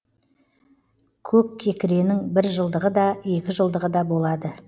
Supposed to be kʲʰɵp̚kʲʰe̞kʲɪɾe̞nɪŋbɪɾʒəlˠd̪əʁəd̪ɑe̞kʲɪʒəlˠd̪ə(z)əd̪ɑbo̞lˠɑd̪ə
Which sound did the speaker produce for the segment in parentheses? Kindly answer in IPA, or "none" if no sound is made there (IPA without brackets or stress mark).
ʁ